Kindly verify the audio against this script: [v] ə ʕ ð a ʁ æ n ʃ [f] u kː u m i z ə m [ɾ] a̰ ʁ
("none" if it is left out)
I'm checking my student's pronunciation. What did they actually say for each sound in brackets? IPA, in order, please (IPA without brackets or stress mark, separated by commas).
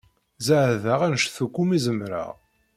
z, θ, ɾ